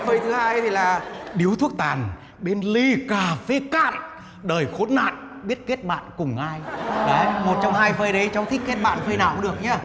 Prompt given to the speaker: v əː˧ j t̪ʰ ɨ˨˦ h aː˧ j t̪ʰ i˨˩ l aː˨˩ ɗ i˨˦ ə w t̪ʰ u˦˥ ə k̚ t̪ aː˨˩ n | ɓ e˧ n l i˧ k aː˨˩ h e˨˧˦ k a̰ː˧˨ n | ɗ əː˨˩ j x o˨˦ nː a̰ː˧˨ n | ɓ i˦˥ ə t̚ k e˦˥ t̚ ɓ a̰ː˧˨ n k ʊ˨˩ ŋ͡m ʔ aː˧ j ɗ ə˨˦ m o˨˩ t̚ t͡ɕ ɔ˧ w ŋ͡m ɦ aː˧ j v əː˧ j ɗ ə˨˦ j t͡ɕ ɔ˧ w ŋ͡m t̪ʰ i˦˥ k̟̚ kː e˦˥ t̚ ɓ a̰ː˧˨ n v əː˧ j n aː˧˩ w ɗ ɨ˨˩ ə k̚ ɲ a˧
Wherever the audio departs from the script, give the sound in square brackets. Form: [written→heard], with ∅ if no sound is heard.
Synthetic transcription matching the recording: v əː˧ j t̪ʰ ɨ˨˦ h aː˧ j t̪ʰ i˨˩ l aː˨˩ ɗ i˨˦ ə w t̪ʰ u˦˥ ə k̚ t̪ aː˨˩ n | ɓ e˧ n l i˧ k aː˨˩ [h→f] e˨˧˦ k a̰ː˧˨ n | ɗ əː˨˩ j x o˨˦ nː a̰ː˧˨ n | ɓ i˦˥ ə t̚ k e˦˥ t̚ ɓ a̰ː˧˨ n k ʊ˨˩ ŋ͡m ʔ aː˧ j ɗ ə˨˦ m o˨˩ t̚ t͡ɕ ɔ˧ w ŋ͡m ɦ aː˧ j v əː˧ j ɗ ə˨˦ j t͡ɕ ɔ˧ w ŋ͡m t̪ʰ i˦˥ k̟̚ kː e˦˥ t̚ ɓ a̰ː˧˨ n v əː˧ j n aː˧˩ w ɗ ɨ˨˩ ə k̚ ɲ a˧

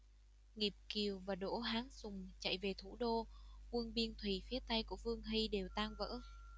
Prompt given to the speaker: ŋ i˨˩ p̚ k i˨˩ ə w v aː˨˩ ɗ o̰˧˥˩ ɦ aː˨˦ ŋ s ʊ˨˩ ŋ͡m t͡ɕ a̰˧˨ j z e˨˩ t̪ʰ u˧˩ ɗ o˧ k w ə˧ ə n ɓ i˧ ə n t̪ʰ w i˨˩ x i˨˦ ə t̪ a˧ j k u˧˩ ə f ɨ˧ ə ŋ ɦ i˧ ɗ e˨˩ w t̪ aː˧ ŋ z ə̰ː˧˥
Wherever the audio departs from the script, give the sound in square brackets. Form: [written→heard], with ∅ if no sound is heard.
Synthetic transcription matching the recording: ŋ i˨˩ p̚ k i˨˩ ə w v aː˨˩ ɗ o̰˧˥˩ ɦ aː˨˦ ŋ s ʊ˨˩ ŋ͡m t͡ɕ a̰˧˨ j [z→v] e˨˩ t̪ʰ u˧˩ ɗ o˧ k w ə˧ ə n ɓ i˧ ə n t̪ʰ w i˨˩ [x→f] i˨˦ ə t̪ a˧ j k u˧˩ ə f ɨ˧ ə ŋ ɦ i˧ ɗ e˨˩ w t̪ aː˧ ŋ [z→v] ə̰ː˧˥

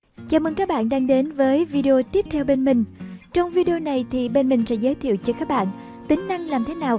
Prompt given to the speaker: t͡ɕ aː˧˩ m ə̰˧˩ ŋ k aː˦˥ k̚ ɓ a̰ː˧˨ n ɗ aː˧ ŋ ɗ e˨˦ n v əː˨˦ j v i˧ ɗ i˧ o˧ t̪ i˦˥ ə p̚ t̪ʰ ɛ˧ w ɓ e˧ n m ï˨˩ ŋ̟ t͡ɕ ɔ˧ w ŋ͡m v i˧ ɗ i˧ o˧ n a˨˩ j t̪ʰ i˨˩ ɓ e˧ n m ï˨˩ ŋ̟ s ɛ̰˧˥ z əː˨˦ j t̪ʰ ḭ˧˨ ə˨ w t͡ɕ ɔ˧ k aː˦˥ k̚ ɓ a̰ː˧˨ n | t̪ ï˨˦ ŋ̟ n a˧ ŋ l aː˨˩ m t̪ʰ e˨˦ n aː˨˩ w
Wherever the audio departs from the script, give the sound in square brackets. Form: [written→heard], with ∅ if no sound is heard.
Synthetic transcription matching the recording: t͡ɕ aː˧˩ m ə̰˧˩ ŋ k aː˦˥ k̚ ɓ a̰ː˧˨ n ɗ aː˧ ŋ ɗ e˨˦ n v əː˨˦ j v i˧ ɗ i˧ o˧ t̪ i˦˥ ə p̚ t̪ʰ ɛ˧ w ɓ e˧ n m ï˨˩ ŋ̟ t͡ɕ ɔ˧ w ŋ͡m v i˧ ɗ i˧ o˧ n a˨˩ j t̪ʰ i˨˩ ɓ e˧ n m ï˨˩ ŋ̟ s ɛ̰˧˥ z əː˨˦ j t̪ʰ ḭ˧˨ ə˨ w t͡ɕ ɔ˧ k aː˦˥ k̚ ɓ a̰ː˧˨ n | t̪ ï˨˦ ŋ̟ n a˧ ŋ l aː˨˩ m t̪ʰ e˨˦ n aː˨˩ w

